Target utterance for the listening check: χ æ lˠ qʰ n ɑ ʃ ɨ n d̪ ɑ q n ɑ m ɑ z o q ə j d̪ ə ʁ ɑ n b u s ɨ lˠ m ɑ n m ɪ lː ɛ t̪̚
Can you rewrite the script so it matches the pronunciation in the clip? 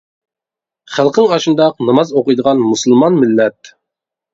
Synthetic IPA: χ æ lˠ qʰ ŋ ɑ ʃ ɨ n d̪ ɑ q n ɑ m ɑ z o q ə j d̪ ə ʁ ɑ n m u s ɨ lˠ m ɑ n m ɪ lː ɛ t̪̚